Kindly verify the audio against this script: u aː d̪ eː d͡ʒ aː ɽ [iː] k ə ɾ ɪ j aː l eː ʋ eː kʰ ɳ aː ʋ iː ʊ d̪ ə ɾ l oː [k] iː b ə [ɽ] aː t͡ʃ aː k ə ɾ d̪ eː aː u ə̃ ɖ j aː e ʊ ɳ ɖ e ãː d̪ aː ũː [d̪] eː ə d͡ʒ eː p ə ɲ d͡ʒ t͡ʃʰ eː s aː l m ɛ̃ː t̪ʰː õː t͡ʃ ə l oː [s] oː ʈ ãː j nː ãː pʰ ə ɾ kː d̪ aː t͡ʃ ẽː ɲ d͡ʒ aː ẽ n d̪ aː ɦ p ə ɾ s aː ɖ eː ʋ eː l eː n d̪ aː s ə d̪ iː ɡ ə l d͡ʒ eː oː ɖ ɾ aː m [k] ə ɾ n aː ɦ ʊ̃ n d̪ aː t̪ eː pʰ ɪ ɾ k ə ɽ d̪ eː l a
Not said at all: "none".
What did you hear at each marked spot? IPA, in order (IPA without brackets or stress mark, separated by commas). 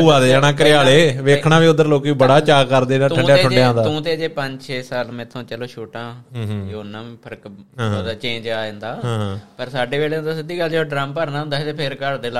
aː, k, ɽ, t̪, ʃ, p